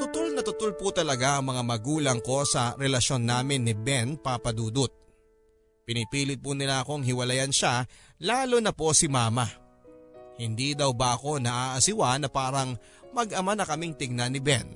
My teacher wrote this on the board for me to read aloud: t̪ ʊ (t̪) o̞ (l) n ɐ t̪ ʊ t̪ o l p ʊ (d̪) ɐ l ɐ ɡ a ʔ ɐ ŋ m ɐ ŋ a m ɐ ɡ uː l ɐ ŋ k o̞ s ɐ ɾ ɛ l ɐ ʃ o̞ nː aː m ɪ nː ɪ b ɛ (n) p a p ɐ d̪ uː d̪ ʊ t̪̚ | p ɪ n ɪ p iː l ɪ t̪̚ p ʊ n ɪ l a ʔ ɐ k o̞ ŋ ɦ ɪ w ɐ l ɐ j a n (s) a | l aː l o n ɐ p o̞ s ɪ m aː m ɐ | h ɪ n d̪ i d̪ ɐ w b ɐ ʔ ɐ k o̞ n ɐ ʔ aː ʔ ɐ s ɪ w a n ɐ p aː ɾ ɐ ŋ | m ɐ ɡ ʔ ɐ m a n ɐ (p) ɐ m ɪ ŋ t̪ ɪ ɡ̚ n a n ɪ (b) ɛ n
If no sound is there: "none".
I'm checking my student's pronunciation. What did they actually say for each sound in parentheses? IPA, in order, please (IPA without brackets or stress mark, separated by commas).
t̪, l, t̪, n, ʃ, k, b